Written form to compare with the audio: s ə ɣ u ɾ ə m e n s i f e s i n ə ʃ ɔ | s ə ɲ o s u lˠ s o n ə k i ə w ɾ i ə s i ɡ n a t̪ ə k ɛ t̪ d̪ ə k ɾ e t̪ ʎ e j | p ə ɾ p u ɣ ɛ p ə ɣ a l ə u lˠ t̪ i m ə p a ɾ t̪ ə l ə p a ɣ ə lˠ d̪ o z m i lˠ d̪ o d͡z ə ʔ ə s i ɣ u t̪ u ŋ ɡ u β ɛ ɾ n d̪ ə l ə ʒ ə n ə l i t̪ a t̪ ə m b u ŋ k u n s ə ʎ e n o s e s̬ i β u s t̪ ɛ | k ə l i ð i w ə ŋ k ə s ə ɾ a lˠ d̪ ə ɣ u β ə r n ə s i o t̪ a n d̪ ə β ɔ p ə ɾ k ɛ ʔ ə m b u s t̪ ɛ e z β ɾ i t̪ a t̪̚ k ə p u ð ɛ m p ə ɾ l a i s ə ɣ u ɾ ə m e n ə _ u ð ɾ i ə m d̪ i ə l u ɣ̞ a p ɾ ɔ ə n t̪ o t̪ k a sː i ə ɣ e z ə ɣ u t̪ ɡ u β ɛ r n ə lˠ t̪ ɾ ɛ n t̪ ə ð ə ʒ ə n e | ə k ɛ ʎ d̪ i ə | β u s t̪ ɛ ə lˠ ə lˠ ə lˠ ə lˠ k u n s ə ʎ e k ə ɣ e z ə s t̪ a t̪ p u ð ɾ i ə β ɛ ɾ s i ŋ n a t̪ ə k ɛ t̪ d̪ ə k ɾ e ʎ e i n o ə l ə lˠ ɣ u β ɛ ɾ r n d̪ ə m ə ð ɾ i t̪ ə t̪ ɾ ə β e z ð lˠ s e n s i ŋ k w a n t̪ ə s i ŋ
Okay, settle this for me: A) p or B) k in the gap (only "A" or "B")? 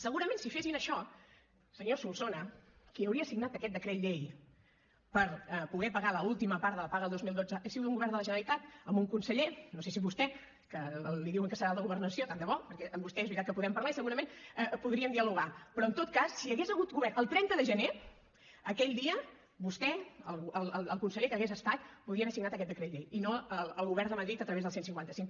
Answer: A